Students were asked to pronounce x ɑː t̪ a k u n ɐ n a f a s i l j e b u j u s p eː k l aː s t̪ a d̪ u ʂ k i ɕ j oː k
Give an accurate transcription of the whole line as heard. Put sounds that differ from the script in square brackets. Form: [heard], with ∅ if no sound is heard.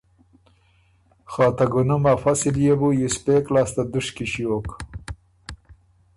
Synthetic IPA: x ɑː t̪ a [ɡ] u n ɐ [m] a f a s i l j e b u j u s p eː k l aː s t̪ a d̪ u ʂ k i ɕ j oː k